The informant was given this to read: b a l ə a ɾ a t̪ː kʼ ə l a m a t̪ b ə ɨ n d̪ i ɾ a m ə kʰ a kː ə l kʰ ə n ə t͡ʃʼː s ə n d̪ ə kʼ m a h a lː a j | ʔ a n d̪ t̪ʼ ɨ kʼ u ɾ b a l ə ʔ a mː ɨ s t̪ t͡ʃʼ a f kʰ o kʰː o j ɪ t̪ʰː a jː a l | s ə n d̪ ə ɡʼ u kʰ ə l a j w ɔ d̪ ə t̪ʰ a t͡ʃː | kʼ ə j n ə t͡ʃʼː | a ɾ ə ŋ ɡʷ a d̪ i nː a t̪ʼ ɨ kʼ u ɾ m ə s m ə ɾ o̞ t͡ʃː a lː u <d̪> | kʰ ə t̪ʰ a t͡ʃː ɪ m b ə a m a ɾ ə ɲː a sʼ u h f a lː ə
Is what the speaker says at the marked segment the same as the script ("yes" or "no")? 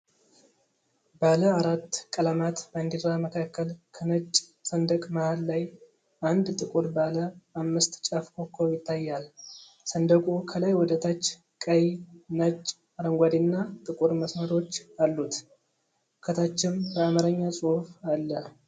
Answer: no